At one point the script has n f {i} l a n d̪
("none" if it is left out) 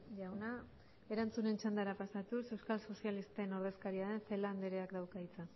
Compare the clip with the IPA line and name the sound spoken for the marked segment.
e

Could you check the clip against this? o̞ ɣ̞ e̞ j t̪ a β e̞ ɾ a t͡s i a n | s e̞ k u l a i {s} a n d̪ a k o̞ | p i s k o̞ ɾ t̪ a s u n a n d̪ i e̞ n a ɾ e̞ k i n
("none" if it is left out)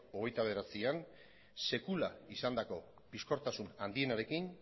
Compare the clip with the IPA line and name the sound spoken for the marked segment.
s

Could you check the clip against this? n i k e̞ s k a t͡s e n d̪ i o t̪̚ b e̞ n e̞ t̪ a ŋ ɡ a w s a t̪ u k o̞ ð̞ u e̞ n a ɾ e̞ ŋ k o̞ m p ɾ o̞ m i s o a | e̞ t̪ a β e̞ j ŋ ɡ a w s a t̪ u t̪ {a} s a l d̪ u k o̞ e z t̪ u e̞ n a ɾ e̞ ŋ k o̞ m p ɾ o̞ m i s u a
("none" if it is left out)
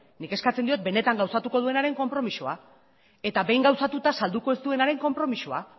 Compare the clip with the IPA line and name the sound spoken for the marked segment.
a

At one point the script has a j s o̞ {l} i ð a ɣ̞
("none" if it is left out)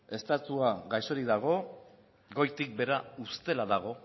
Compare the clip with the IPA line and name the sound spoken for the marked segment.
ɾ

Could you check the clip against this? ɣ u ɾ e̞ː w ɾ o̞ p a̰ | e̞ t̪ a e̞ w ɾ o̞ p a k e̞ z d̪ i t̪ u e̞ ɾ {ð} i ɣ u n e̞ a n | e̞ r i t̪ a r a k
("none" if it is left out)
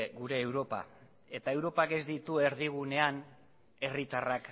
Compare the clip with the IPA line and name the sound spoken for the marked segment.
ð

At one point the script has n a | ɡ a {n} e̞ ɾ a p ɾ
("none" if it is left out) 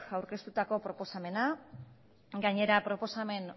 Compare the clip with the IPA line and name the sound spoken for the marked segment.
ɲ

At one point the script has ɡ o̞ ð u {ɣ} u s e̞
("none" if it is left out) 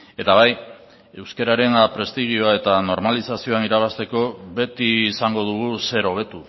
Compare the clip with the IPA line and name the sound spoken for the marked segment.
ɣ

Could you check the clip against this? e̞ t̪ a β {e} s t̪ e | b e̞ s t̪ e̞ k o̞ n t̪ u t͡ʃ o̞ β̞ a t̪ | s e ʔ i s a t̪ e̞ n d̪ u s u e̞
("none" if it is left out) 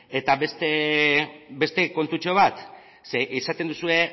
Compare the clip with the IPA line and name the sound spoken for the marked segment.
e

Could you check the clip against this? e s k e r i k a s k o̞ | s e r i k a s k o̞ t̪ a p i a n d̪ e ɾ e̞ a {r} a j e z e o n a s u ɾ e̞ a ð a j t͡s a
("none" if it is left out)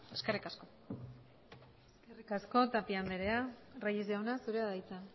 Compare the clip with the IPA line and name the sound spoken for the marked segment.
r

